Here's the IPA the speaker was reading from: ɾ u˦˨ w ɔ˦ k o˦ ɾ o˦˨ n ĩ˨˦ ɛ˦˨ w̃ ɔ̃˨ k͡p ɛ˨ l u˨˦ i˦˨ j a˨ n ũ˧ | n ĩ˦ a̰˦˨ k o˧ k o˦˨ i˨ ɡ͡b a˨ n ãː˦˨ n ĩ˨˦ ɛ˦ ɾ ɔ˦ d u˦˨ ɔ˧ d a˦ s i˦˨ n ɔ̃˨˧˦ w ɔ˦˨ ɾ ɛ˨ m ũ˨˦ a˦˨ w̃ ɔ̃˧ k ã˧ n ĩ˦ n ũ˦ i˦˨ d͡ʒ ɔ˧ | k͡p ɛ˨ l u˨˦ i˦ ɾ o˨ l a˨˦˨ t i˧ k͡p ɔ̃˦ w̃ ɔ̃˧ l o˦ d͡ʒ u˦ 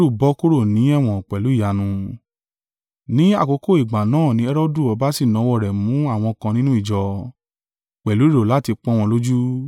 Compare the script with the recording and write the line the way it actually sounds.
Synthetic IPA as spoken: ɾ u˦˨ b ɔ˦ k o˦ ɾ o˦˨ n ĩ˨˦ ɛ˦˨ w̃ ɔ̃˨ k͡p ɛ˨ l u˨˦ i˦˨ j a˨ n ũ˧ | n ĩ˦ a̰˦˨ k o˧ k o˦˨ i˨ ɡ͡b a˨ n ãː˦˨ n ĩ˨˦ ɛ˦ ɾ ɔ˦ d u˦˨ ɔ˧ b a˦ s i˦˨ n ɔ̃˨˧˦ w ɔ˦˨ ɾ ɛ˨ m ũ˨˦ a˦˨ w̃ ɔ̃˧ k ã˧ n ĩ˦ n ũ˦ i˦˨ d͡ʒ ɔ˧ | k͡p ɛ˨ l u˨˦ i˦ ɾ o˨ l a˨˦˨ t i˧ k͡p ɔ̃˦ w̃ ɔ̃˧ l o˦ d͡ʒ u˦

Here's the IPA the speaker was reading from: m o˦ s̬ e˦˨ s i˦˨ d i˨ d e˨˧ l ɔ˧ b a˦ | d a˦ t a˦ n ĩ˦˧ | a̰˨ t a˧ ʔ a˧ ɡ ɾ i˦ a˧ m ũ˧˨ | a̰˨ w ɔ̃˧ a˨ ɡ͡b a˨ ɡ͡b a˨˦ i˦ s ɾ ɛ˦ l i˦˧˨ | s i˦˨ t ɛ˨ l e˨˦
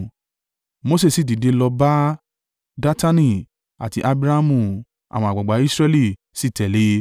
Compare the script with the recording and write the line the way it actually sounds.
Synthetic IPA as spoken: m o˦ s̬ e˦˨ s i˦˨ d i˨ d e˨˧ l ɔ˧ b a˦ | d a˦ t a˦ n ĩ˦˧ | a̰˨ t i˧ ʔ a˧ b ɾ a˦ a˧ m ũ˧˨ | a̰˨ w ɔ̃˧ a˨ ɡ͡b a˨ ɡ͡b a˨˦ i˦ s ɾ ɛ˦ l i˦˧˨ | s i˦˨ t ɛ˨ l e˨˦

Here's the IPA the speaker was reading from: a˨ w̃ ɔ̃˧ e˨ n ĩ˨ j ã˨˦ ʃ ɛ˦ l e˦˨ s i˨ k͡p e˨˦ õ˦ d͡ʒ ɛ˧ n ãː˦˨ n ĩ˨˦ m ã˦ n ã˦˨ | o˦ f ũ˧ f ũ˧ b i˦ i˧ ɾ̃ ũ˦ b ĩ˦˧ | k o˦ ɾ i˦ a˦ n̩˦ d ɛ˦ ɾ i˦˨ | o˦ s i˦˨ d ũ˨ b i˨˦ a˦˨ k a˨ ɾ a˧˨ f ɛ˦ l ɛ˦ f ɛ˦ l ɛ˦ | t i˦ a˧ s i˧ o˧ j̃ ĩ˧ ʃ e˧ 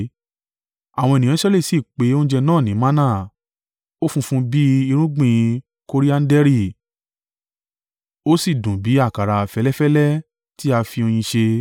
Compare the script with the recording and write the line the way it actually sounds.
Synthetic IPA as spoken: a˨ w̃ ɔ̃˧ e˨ n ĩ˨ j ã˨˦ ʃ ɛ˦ l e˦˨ s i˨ k͡p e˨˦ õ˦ d͡ʒ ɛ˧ n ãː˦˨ n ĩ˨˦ m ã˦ n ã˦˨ | o˦ f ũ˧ f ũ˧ b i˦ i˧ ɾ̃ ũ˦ ɡ͡b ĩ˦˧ | k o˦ ɾ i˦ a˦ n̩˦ d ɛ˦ ɾ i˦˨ | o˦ s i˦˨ d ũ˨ b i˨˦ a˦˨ k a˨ ɾ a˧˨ f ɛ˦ l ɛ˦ f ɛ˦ l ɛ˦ | t i˦ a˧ f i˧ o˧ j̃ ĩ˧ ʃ e˧

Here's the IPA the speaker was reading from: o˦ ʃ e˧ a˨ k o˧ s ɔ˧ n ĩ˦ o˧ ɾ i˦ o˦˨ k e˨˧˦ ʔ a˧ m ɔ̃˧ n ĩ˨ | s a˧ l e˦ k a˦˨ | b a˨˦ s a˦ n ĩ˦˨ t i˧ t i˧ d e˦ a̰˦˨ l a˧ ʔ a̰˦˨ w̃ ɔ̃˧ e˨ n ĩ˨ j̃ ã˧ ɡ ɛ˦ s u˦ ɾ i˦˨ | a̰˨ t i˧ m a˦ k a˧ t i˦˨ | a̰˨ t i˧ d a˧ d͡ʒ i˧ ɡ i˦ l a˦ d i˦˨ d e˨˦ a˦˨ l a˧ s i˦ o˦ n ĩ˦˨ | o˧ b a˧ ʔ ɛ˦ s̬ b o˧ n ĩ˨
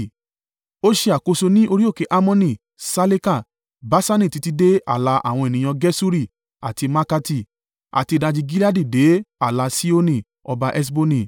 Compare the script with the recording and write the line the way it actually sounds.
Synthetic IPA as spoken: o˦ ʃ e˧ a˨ k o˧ s o˧ n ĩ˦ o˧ ɾ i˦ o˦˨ k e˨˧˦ ʔ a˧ m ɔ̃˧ n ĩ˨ | s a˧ l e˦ k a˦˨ | b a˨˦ s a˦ n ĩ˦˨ t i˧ t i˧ d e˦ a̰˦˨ l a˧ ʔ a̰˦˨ w̃ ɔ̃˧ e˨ n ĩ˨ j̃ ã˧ ɡ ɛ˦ s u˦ ɾ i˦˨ | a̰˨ t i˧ m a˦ k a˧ t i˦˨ | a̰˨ t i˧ d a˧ d͡ʒ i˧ ɡ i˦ l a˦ d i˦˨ d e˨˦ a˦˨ l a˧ s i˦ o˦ n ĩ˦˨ | ɔ˧ b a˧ ʔ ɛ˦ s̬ b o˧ n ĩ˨

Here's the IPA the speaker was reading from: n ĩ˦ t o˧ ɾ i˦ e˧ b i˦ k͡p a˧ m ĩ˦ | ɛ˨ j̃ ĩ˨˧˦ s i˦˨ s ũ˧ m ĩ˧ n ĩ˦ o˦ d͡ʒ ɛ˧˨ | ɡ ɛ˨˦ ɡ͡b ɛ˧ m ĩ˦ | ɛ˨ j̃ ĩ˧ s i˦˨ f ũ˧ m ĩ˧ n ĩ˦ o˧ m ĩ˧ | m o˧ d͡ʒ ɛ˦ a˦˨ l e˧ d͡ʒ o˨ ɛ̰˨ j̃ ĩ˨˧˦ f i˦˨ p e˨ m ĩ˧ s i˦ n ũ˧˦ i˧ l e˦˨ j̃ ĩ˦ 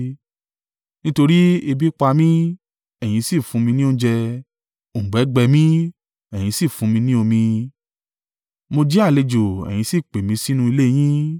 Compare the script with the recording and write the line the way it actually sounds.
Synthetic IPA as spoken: n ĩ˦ t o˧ ɾ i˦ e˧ b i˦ k͡p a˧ m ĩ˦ | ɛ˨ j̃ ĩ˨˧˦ s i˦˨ f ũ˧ m ĩ˧ n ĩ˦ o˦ d͡ʒ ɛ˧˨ | ɡ͡b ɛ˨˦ ɡ͡b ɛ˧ m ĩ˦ | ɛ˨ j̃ ĩ˧ s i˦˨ f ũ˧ m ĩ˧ n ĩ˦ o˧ m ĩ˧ | m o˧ d͡ʒ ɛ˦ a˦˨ l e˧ d͡ʒ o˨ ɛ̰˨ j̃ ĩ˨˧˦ s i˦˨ k͡p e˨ m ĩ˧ s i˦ n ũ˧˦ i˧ l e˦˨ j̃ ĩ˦

